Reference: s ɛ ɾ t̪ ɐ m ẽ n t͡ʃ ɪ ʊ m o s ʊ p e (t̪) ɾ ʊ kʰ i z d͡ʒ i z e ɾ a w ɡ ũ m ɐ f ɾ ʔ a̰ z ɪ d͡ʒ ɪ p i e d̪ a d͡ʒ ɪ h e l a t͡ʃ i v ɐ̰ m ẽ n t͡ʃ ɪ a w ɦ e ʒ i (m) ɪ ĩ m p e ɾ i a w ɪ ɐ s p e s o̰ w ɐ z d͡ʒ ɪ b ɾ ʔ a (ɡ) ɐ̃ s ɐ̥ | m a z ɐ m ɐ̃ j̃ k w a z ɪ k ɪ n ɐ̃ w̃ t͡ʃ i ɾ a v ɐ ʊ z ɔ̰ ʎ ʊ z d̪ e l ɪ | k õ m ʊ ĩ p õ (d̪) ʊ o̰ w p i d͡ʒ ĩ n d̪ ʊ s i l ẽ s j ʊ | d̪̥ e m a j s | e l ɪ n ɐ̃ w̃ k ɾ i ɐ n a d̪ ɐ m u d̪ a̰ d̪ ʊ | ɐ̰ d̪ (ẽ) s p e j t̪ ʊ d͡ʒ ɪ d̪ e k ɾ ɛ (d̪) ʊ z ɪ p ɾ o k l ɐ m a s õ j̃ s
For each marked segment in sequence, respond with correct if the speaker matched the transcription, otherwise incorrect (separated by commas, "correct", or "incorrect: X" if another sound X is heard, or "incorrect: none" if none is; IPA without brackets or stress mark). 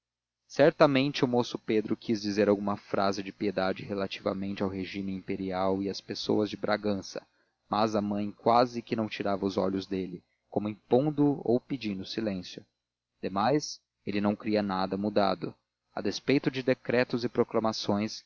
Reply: incorrect: d̪, correct, correct, correct, incorrect: e, incorrect: t̪